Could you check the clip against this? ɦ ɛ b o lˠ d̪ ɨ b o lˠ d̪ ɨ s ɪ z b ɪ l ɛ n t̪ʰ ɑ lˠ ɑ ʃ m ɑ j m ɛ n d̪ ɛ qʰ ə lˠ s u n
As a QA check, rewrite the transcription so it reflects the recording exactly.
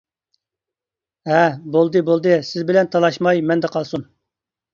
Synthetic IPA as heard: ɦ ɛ b o lˠ d̪ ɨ b o lˠ d̪ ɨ s ɪ z b ɪ l ɛ n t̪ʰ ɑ lˠ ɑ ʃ m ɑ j m ɛ n d̪ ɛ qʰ ɑ lˠ s u n

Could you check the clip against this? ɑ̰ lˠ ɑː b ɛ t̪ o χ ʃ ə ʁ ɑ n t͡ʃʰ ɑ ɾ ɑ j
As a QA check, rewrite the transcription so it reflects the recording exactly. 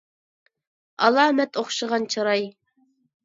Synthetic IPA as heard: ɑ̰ lˠ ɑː m ɛ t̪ o χ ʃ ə ʁ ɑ n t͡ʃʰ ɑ ɾ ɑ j

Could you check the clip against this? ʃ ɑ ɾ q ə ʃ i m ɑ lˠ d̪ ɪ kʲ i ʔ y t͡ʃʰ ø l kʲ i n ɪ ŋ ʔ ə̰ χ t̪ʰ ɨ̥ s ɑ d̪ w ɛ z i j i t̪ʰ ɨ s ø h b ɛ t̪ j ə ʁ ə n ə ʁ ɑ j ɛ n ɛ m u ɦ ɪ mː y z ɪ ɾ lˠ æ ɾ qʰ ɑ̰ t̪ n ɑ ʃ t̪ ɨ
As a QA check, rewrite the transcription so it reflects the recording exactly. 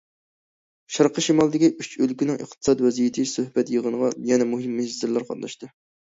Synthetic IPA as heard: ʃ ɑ ɾ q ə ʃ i m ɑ lˠ d̪ ɪ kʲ i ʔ y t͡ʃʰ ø l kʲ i n ɪ ŋ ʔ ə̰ χ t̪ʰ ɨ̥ s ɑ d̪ w ɛ z i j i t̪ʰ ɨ s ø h b ɛ t̪ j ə ʁ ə n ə ʁ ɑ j ɛ n ɛ m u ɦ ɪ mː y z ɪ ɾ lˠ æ ɾ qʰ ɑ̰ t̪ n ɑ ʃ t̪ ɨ

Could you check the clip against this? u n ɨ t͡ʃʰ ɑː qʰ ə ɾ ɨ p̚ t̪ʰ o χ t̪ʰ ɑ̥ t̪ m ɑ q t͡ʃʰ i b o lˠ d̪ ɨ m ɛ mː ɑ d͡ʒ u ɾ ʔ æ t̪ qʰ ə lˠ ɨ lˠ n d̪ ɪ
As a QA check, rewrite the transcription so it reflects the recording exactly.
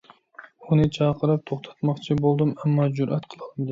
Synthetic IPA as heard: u n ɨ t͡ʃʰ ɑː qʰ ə ɾ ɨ p̚ t̪ʰ o χ t̪ʰ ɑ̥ t̪ m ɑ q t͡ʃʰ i b o lˠ d̪ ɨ m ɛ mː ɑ d͡ʒ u ɾ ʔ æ t̪ qʰ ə lˠ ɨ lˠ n d̪ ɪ

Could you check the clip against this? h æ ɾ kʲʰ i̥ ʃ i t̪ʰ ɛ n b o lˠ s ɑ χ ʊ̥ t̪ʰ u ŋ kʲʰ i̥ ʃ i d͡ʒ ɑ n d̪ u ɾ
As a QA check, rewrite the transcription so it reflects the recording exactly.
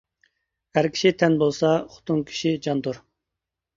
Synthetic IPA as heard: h æ ɾ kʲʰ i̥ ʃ i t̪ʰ ɛ n b o lˠ s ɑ χ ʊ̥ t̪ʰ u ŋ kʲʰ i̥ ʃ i d͡ʒ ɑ n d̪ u ɾ

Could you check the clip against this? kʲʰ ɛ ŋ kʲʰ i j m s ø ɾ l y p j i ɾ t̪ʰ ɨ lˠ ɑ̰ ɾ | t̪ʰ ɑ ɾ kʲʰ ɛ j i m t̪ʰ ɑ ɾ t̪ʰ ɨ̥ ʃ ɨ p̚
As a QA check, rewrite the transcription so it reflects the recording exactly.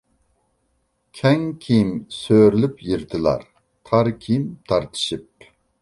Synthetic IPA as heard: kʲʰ ɛ ŋ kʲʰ i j m s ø ɾ l y p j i ɾ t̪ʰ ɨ lˠ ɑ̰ ɾ | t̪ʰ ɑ ɾ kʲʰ i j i m t̪ʰ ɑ ɾ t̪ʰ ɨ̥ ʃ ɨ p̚

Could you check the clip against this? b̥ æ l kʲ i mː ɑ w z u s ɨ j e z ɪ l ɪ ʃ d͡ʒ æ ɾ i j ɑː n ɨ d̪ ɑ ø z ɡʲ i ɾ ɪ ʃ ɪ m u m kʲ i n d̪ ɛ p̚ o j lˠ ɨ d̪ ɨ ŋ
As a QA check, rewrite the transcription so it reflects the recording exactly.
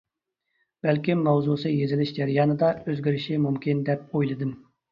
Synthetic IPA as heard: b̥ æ l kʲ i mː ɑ w z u s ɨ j e z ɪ l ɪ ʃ d͡ʒ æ ɾ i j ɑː n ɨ d̪ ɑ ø z ɡʲ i ɾ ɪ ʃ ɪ m u m kʲ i n d̪ ɛ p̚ o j lˠ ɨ d̪ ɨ m

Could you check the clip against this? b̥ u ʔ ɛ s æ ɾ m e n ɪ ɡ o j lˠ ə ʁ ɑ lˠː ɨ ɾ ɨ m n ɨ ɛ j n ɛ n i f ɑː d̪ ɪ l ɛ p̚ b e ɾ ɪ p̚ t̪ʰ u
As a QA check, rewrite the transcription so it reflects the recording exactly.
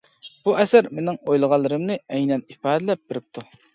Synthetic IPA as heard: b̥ u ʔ ɛ s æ ɾ m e n ɪ ŋ o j lˠ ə ʁ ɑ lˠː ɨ ɾ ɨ m n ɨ ɛ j n ɛ n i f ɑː d̪ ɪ l ɛ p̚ b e ɾ ɪ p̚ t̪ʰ u

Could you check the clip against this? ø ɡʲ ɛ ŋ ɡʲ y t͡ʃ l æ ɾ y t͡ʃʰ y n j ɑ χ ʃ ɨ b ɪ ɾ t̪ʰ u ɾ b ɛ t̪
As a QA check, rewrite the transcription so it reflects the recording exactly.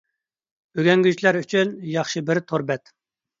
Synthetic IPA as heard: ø ɡʲ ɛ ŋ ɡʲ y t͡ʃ l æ ɾ y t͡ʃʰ y n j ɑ χ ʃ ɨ b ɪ ɾ t̪ʰ o ɾ b ɛ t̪

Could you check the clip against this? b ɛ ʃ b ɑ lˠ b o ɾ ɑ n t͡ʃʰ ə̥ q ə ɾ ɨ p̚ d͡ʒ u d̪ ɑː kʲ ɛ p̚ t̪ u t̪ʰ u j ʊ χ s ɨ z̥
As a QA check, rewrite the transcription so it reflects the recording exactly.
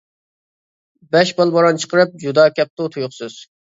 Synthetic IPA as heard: b ɛ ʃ b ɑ lˠ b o ɾ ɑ n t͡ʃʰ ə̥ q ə ɾ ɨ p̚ d͡ʒ u d̪ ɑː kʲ ɛ p̚ t̪ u t̪ʰ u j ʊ χ s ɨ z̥

